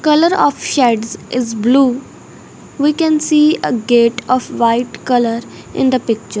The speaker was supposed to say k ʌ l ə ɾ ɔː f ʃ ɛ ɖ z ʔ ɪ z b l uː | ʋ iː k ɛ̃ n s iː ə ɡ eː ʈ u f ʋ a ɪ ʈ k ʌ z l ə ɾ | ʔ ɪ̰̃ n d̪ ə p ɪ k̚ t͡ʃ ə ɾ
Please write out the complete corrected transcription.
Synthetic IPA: k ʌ l ə ɾ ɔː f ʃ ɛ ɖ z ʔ ɪ z b l uː | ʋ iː k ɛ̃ n s iː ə ɡ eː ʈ ɔ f ʋ a ɪ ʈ k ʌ l ə ɾ | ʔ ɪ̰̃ n d̪ ə p ɪ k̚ t͡ʃ ə ɾ